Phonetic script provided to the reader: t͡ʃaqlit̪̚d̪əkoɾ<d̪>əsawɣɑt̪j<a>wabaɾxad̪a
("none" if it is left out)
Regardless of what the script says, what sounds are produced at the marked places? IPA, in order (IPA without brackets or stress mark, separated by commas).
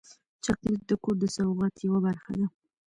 d̪, a